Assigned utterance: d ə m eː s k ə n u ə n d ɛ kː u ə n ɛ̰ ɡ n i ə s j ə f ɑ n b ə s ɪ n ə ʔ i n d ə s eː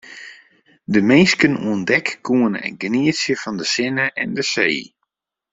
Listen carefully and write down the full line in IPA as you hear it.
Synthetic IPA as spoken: d ə m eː s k ə n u ə n d ɛ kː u ə n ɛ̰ ɡ n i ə s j ə f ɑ n d ə s ɪ n ə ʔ ɛ n d ə s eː